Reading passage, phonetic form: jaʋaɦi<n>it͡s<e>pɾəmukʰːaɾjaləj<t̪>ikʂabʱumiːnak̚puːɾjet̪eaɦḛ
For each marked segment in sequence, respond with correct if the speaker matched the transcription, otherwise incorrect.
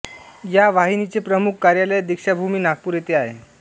correct, correct, incorrect: d̪

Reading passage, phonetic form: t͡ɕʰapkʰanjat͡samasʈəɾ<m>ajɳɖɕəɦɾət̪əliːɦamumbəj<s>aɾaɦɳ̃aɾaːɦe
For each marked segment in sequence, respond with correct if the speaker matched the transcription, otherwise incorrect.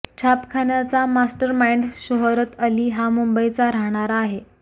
correct, incorrect: t͡s

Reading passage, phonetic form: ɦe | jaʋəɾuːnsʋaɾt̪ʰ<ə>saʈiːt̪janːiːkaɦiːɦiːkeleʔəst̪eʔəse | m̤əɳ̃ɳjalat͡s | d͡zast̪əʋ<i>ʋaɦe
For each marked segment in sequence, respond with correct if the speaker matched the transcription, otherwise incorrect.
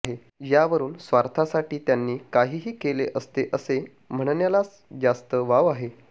incorrect: a, incorrect: a

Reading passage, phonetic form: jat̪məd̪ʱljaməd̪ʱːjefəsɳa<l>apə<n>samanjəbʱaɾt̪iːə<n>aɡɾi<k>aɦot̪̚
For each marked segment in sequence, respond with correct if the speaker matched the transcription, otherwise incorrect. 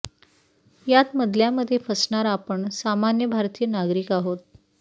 incorrect: ɾ, incorrect: ɳ, correct, correct

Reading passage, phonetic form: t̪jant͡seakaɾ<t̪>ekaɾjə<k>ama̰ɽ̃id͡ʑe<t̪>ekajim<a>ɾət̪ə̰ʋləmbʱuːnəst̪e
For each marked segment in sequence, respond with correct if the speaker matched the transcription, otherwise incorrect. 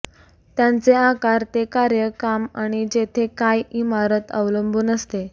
correct, correct, incorrect: t̪ʰ, correct

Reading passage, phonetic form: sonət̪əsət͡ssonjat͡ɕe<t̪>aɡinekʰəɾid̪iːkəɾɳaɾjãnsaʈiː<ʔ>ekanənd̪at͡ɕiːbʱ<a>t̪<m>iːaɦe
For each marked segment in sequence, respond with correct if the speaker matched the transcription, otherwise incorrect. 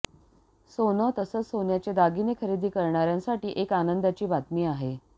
incorrect: d̪, correct, correct, correct

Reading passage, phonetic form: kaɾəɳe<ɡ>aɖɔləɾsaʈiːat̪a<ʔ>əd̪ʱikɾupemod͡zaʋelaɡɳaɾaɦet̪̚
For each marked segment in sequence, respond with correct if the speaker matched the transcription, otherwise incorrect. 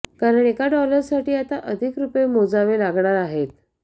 incorrect: k, correct

